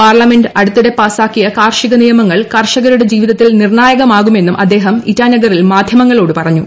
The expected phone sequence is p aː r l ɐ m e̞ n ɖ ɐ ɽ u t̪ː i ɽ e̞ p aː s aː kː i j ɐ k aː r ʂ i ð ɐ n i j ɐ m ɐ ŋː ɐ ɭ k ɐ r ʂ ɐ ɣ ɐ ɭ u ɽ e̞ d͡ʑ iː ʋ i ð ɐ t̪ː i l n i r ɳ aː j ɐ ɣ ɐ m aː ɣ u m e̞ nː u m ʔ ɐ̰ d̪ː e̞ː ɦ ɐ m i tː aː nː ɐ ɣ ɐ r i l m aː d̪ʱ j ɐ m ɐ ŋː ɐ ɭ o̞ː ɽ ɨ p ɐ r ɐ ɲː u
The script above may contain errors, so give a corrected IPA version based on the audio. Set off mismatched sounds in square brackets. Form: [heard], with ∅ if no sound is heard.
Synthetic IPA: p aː r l ɐ m e̞ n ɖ ɐ ɽ u t̪ː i ɽ e̞ p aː s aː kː i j ɐ k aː r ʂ i [ɣ] ɐ n i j ɐ m ɐ ŋː ɐ ɭ k ɐ r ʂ ɐ ɣ ɐ [ɾ] u ɽ e̞ d͡ʑ iː ʋ i ð ɐ t̪ː i l n i r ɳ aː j ɐ ɣ ɐ m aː ɣ u m e̞ nː u m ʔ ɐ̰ d̪ː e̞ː ɦ ɐ m i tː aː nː ɐ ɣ ɐ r i l m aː d̪ʱ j ɐ m ɐ ŋː ɐ ɭ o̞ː ɽ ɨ p ɐ r ɐ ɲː u